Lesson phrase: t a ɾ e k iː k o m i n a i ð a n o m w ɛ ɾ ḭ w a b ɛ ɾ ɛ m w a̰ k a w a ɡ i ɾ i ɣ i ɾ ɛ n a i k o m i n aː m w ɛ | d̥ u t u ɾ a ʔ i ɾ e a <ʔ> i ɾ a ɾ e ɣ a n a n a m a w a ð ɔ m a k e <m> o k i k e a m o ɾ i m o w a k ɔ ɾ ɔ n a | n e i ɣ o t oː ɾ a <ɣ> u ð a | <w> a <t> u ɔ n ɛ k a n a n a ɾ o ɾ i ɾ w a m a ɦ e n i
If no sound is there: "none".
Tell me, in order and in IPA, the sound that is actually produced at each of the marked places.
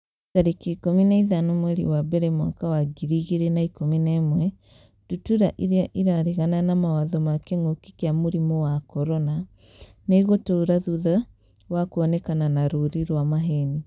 ʔ, ŋ, ð, w, k

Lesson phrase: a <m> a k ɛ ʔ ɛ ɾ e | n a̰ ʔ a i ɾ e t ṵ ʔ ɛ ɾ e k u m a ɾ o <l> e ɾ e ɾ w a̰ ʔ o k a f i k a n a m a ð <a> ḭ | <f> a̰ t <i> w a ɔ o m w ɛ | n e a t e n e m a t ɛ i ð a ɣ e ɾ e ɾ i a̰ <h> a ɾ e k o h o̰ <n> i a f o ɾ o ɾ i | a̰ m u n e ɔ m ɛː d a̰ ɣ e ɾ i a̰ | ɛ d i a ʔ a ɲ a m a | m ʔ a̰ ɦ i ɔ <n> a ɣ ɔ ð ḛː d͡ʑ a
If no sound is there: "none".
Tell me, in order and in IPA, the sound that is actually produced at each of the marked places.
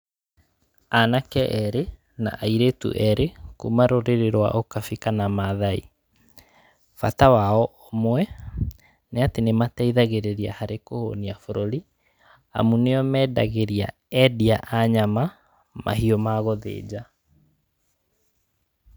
n, ɾ, a, f, a, h, n, m

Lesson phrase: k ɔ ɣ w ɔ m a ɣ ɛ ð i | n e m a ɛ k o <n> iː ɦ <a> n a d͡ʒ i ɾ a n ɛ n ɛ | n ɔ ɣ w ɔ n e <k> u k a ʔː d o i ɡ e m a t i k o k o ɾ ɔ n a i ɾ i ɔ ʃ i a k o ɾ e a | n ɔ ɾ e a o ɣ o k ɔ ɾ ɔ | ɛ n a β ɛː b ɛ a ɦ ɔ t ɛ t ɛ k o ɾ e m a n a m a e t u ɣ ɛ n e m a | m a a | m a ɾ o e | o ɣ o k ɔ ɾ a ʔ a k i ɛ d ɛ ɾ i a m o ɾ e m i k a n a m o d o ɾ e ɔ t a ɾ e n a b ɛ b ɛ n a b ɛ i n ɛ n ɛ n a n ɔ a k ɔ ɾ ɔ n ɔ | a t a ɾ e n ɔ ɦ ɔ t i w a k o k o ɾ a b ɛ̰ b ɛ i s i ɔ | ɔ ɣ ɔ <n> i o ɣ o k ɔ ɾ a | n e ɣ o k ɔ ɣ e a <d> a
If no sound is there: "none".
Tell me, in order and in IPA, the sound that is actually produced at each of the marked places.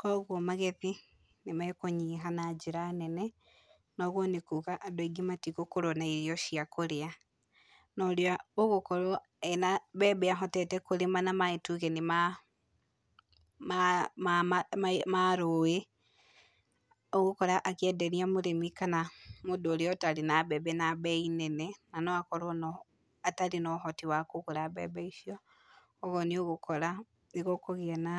ɲ, a, k, n, n

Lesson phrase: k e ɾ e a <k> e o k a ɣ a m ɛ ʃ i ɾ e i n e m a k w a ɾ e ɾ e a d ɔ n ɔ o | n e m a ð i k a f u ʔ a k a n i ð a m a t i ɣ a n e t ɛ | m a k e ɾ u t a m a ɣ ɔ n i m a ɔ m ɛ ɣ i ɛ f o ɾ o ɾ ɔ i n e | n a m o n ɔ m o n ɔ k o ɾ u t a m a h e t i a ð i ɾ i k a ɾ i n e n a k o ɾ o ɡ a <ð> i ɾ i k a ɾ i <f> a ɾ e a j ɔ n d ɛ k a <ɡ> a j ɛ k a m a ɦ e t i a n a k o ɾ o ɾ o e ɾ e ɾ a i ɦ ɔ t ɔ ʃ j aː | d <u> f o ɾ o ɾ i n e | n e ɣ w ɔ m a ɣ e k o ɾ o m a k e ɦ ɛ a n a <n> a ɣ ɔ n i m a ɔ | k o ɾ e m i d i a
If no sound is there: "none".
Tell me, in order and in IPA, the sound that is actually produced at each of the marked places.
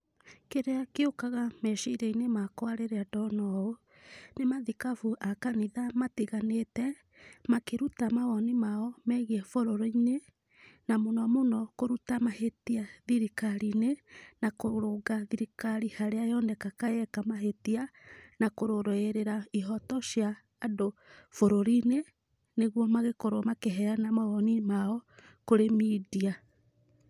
k, ð, h, k, o, m

